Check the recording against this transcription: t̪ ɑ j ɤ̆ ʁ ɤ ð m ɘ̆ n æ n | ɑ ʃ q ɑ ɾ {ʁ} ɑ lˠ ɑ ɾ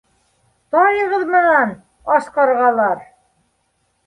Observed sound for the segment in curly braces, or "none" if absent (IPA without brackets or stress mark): ʁ